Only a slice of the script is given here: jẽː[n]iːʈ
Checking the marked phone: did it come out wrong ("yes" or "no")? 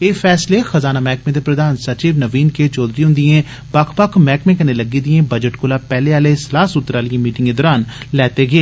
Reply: yes